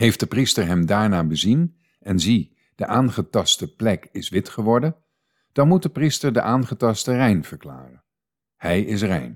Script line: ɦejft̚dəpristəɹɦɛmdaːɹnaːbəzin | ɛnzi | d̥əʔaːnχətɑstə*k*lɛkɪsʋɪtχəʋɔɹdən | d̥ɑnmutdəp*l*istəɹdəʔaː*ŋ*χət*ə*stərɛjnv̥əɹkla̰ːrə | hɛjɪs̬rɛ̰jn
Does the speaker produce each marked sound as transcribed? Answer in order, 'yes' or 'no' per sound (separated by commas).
no, no, no, no